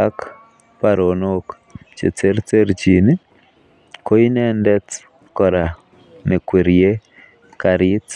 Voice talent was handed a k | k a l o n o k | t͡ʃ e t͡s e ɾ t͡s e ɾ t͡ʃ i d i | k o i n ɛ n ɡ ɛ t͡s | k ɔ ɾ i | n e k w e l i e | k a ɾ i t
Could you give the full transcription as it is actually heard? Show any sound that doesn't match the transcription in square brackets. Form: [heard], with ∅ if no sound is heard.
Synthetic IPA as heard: a k | [p] a [ɾ] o n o k | t͡ʃ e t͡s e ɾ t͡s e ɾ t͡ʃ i [n] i | k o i n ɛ n [d] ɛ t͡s | k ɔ ɾ [a] | n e k w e [ɾ] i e | k a ɾ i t